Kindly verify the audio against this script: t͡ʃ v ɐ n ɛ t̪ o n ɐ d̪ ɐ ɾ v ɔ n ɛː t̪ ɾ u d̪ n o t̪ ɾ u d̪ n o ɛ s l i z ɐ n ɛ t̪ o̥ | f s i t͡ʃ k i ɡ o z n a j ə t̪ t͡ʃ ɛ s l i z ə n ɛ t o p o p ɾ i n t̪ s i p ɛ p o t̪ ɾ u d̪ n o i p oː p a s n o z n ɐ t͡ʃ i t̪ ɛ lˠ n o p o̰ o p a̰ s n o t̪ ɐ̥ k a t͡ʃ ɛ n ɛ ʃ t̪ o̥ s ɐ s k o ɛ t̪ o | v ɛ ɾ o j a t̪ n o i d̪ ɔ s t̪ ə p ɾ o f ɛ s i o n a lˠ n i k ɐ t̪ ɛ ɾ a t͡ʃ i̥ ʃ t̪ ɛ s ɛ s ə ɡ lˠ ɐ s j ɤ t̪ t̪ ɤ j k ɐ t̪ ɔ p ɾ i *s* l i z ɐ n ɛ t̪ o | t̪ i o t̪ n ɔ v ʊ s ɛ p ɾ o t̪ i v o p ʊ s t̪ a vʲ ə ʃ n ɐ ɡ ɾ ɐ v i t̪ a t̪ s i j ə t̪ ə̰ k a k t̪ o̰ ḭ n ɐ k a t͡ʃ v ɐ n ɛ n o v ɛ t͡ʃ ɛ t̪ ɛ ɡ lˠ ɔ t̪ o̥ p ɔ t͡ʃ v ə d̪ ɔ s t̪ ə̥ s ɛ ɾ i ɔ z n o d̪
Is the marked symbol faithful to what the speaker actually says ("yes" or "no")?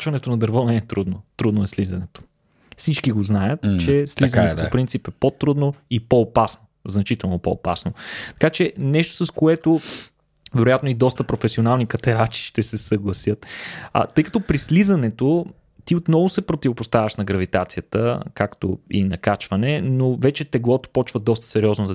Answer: yes